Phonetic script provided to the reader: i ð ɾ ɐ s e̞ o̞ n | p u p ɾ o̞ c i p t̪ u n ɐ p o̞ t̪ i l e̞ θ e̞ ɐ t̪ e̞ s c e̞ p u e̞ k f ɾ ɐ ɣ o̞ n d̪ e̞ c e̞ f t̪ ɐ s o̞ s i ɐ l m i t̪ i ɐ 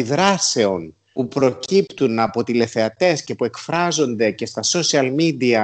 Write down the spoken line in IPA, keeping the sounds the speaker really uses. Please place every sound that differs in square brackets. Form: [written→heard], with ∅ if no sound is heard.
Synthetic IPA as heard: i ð ɾ ɐ s e̞ o̞ n | p u p ɾ o̞ c i p t̪ u n ɐ p o̞ t̪ i l e̞ θ e̞ ɐ t̪ e̞ s c e̞ p u e̞ k f ɾ ɐ [ɣ→z] o̞ n d̪ e̞ c e̞ [f→s] t̪ ɐ s o̞ s i ɐ l m i [t̪→d̪] i ɐ